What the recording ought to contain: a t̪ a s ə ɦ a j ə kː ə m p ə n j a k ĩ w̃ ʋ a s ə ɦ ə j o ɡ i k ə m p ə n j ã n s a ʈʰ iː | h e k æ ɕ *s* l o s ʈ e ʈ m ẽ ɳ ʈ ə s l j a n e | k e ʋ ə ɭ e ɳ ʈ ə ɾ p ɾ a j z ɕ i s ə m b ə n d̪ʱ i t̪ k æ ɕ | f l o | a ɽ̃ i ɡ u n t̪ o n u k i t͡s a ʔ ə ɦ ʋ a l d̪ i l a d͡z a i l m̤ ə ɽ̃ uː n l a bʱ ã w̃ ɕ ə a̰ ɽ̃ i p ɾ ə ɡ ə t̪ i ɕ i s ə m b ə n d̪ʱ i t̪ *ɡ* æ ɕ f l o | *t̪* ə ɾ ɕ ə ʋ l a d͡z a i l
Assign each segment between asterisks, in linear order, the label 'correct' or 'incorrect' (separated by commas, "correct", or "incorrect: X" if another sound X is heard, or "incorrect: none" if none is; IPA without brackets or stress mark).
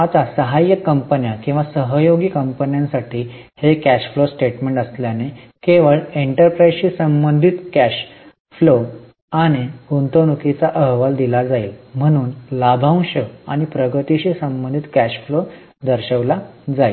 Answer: incorrect: f, incorrect: k, incorrect: d̪